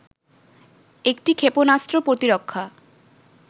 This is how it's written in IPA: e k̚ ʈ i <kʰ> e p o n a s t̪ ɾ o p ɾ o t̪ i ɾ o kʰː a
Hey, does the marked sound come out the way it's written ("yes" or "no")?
yes